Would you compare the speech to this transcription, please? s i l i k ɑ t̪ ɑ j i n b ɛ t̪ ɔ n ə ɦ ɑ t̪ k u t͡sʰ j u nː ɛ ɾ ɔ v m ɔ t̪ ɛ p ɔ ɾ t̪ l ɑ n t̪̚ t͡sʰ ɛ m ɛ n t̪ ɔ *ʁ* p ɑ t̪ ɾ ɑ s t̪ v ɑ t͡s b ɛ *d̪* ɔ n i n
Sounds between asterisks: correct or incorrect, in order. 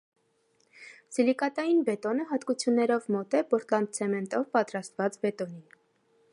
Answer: incorrect, incorrect

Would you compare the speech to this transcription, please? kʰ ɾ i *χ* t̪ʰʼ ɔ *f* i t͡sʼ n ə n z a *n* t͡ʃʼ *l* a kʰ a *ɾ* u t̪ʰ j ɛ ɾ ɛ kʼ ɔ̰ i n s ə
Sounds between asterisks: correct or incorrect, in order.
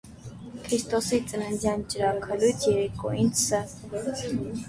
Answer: incorrect, incorrect, correct, incorrect, incorrect

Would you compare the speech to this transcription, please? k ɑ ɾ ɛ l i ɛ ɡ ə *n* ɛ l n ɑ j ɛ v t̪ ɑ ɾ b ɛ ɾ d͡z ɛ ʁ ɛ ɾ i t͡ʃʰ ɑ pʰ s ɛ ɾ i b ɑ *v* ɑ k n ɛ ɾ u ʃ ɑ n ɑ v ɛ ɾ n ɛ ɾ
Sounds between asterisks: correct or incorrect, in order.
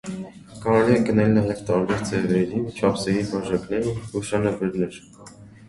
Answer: correct, incorrect

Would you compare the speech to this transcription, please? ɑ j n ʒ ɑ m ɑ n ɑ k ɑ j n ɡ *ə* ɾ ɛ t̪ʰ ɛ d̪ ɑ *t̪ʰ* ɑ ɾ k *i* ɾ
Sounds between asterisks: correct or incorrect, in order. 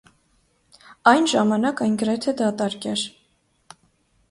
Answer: correct, incorrect, incorrect

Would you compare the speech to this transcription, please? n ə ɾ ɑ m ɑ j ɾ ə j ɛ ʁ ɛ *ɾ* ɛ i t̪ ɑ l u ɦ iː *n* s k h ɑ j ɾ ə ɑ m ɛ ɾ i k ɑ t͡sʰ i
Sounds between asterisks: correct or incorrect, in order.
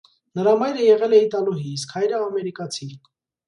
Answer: incorrect, incorrect

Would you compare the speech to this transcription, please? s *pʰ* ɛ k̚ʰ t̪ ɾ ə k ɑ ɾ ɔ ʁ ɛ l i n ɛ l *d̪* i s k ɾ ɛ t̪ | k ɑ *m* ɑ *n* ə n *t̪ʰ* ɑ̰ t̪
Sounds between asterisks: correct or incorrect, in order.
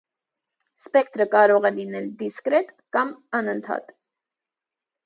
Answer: incorrect, correct, correct, correct, correct

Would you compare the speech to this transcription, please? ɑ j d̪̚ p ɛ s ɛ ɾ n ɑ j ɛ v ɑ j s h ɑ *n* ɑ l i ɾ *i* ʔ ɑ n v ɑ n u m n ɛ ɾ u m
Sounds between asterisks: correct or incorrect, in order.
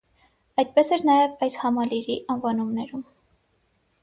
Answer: incorrect, correct

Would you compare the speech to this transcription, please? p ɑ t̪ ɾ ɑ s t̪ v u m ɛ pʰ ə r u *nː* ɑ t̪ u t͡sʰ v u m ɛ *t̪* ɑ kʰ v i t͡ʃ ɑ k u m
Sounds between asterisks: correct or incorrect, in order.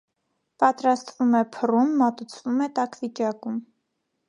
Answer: incorrect, correct

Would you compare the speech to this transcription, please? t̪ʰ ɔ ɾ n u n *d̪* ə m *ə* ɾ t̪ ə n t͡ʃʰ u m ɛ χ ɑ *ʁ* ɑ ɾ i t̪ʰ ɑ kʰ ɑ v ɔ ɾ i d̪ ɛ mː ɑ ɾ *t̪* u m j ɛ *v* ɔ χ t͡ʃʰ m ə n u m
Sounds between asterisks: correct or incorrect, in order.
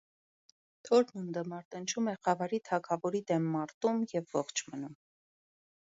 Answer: correct, incorrect, incorrect, correct, incorrect

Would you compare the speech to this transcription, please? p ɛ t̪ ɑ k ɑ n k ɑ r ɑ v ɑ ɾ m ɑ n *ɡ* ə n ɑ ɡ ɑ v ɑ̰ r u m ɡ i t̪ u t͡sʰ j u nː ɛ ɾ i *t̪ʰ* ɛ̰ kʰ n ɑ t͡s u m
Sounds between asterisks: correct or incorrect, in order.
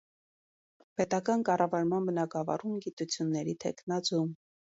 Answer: incorrect, correct

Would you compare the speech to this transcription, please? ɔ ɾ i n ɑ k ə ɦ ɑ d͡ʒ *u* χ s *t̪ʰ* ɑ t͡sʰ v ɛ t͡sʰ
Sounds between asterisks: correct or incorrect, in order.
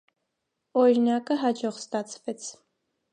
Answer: incorrect, incorrect

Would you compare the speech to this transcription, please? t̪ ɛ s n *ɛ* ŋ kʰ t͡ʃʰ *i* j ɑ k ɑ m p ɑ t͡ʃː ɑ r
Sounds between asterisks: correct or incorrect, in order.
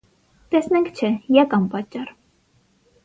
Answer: correct, incorrect

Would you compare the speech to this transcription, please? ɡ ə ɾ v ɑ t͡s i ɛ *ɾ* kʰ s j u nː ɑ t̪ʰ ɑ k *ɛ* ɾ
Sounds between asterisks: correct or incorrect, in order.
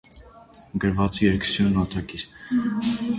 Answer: correct, incorrect

